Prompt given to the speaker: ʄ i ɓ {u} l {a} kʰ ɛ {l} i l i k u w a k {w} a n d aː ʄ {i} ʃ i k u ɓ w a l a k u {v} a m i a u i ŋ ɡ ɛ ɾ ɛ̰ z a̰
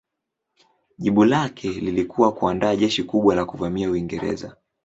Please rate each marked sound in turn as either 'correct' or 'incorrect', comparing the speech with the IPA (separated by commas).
correct, correct, correct, incorrect, incorrect, correct